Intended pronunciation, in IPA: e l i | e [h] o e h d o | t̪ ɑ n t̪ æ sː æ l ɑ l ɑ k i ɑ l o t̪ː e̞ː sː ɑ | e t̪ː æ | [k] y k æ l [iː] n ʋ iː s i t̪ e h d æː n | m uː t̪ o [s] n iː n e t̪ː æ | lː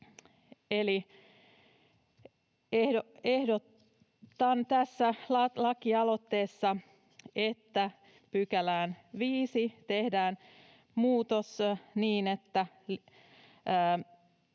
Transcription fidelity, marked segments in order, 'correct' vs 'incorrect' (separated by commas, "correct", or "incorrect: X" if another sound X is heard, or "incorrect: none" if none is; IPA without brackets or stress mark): correct, incorrect: p, incorrect: æː, correct